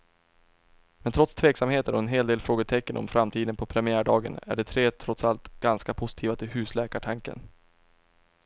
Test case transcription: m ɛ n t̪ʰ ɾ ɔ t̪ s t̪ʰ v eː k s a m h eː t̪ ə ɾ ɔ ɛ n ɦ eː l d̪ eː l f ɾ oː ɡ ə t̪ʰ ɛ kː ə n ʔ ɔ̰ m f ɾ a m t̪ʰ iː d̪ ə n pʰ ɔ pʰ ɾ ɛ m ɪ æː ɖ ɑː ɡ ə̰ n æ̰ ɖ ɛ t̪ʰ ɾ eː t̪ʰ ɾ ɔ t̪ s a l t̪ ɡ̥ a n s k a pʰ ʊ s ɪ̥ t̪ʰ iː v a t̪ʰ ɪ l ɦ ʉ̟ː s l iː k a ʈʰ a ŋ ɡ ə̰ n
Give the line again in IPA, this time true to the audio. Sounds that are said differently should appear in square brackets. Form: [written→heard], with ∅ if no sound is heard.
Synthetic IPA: m ɛ n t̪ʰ ɾ ɔ t̪ s t̪ʰ v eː k s a m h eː t̪ ə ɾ ɔ ɛ n ɦ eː l d̪ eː l f ɾ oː ɡ ə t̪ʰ ɛ kː ə n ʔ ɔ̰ m f ɾ a m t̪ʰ iː d̪ ə n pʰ ɔ pʰ ɾ ɛ m ɪ æː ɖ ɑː ɡ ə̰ n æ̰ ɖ ɛ t̪ʰ ɾ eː t̪ʰ ɾ ɔ t̪ s a l t̪ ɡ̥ a n s k a pʰ ʊ s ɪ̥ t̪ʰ iː v a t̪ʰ ɪ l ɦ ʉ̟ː s l [iː→ɛː] k a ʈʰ a ŋ [ɡ→k] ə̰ n